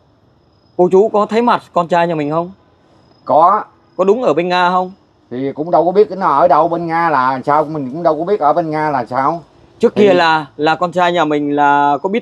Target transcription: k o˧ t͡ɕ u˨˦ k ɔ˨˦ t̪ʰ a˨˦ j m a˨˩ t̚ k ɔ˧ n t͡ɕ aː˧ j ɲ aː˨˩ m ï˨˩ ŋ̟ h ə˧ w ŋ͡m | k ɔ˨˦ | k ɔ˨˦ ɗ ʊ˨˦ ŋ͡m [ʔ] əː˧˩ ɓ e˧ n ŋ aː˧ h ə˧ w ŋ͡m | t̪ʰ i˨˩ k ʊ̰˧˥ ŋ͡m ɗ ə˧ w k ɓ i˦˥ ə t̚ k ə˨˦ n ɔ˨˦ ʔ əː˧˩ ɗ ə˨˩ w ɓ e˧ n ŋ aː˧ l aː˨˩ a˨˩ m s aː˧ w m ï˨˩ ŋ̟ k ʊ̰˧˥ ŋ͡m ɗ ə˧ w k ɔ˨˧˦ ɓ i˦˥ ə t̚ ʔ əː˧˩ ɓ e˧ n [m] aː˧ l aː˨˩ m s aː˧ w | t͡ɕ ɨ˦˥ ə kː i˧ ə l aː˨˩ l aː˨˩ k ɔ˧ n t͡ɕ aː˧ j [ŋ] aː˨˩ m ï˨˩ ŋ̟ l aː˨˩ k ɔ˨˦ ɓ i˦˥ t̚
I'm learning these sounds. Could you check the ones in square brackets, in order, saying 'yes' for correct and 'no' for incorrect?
yes, no, no

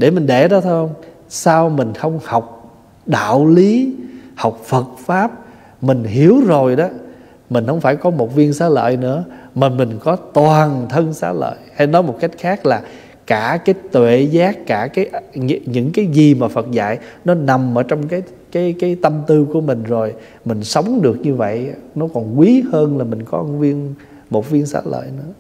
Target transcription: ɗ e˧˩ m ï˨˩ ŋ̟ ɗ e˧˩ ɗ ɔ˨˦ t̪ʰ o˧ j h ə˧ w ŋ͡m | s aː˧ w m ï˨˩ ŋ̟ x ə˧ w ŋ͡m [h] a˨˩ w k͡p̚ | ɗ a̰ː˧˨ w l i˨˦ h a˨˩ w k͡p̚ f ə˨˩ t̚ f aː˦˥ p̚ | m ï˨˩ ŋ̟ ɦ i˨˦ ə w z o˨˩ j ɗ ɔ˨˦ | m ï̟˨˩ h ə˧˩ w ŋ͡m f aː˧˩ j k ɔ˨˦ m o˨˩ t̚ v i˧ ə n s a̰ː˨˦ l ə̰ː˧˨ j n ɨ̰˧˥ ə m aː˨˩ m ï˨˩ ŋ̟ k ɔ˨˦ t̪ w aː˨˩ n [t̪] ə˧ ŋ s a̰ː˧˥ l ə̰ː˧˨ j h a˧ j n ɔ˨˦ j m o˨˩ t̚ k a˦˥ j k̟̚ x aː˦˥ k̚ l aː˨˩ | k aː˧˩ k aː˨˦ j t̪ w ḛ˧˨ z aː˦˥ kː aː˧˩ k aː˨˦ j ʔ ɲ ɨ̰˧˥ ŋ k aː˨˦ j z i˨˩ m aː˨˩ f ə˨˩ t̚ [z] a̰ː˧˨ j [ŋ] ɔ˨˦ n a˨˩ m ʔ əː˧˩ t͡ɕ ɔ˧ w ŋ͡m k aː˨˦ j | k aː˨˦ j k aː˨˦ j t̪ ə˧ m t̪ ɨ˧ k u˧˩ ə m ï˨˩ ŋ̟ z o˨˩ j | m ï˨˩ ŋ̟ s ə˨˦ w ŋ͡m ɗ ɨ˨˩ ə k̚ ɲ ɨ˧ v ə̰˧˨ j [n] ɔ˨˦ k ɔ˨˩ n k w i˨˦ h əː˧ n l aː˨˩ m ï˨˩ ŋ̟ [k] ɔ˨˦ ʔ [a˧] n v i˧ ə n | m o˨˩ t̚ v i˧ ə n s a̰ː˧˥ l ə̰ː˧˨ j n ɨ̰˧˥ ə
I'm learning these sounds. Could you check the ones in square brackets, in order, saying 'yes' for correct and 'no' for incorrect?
yes, no, yes, no, yes, yes, no

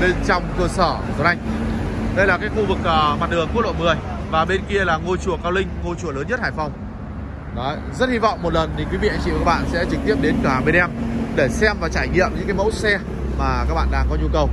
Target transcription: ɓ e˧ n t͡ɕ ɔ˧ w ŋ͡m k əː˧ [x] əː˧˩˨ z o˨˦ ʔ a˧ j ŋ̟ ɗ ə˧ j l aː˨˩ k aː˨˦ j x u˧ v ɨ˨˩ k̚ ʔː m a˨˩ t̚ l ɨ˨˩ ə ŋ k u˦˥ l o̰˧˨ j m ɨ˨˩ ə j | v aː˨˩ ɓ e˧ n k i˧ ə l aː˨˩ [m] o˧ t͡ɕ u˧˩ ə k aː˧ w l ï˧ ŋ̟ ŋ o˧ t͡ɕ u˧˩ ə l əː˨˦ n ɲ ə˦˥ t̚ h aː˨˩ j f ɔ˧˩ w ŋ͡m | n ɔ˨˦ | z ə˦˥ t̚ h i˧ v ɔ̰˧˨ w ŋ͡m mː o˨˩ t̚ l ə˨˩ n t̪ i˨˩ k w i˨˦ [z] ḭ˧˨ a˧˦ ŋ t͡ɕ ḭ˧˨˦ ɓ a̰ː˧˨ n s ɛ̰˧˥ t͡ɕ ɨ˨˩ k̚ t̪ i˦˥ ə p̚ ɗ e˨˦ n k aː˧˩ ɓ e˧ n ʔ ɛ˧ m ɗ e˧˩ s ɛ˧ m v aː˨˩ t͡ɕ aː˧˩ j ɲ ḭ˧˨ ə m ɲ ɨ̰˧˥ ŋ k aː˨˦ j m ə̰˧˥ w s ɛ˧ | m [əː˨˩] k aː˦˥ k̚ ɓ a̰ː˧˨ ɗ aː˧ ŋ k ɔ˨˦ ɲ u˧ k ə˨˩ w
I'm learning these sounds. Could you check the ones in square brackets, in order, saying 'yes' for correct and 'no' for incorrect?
no, no, no, no

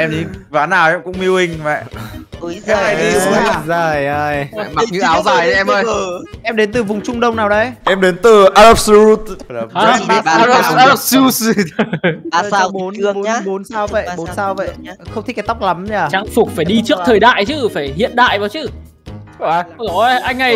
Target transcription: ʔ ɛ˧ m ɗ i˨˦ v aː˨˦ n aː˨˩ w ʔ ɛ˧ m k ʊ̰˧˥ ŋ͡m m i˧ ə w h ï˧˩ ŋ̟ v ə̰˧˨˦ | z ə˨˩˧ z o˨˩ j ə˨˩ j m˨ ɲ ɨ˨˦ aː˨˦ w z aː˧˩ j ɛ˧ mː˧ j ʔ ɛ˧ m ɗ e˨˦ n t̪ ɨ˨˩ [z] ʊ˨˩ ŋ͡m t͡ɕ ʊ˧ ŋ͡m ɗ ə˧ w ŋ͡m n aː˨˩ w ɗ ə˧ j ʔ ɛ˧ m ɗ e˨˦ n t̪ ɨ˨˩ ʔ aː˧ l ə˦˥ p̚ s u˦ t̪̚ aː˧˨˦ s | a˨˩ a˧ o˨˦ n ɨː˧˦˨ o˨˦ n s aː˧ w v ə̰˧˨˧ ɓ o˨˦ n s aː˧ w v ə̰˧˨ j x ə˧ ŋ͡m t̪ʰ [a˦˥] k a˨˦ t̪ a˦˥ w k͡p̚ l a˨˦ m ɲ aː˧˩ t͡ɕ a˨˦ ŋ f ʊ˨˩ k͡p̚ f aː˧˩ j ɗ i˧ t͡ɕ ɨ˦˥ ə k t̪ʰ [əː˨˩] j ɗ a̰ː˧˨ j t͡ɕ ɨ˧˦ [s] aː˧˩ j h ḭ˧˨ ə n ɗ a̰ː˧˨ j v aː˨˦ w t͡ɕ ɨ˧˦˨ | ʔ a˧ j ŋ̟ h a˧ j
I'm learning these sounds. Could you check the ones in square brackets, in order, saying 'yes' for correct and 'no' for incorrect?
no, no, yes, no

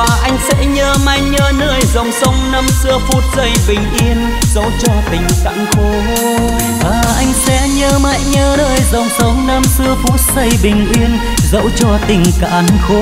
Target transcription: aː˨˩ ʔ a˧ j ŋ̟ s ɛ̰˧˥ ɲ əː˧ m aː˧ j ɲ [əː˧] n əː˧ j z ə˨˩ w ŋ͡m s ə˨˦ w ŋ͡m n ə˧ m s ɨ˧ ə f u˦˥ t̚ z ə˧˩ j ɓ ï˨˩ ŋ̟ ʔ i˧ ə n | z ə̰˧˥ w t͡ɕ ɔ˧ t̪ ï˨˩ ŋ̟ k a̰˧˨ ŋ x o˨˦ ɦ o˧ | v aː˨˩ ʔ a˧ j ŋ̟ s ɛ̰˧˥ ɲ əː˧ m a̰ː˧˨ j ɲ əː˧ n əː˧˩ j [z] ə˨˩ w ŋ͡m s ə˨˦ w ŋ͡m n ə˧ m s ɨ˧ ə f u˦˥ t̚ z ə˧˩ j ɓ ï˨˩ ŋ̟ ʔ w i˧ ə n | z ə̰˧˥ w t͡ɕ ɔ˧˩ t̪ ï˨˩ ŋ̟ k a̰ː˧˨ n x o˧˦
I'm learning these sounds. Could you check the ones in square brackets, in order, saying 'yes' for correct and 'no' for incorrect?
yes, yes

